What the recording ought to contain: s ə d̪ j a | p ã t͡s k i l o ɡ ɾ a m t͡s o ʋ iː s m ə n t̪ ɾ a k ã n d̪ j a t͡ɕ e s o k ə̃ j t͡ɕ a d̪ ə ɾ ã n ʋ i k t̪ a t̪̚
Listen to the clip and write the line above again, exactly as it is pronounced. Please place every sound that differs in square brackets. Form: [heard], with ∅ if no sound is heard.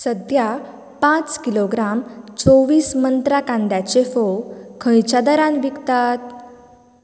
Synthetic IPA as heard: s ə d̪ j a | p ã t͡s k i l o ɡ ɾ a m t͡s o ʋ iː s m ə n t̪ ɾ a k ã n d̪ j a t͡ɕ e [f] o [kʰ] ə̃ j t͡ɕ a d̪ ə ɾ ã n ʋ i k t̪ a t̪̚